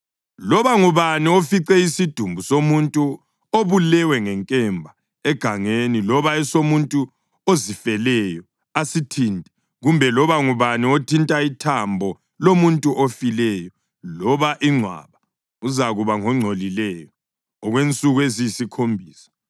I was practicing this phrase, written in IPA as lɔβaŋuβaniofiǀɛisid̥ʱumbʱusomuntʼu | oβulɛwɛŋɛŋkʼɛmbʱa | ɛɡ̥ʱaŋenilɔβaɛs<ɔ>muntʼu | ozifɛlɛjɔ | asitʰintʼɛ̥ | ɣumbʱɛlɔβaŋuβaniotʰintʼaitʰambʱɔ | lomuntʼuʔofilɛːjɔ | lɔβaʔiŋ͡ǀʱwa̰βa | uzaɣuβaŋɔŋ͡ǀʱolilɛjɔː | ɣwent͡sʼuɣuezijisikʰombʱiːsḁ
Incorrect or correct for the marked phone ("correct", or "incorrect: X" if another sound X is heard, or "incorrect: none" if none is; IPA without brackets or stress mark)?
incorrect: o